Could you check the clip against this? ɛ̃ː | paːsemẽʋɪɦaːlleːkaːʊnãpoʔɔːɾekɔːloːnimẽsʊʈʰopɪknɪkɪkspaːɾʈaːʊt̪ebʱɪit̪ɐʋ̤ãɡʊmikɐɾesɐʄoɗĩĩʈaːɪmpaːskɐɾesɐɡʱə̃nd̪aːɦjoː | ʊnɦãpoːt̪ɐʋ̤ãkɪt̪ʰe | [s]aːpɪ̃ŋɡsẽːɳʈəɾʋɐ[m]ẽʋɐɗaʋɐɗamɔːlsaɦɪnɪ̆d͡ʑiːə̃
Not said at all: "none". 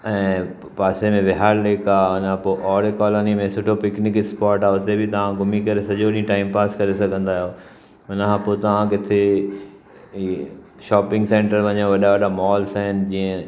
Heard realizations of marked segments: ʃ, ɲ

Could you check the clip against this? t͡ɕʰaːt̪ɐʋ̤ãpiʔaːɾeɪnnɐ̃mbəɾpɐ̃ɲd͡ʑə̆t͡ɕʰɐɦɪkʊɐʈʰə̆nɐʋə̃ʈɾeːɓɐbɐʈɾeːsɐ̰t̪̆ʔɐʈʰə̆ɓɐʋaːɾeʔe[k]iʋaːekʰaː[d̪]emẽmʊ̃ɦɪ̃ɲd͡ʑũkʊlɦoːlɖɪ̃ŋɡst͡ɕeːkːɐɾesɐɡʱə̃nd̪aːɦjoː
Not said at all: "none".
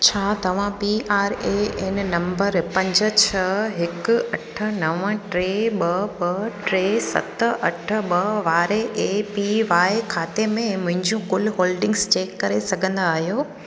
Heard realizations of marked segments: p, t̪

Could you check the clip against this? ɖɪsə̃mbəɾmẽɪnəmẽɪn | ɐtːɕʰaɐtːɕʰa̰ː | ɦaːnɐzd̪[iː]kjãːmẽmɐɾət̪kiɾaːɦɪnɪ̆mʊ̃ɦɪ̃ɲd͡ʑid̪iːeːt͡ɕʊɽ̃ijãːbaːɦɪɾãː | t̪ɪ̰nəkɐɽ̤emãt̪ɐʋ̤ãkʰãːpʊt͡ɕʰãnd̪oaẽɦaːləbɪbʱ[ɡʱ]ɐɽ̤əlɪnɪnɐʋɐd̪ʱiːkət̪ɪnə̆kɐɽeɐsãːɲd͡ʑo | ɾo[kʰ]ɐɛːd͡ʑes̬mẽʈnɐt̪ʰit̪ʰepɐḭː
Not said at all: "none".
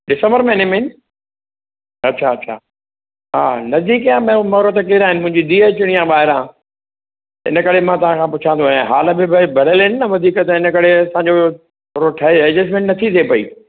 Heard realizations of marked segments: iː, bʱ, ʈʰ

